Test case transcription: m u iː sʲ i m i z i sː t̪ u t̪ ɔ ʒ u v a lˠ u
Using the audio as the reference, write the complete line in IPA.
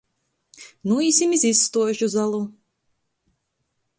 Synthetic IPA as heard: n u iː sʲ i m i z i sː t̪ u ɔ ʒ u z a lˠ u